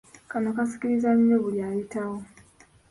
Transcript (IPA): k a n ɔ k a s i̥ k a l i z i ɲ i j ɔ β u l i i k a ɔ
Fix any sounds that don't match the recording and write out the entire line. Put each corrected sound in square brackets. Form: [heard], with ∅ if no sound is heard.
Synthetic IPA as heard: k a n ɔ k a s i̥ k [i] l i z [a] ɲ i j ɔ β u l [a] i [t] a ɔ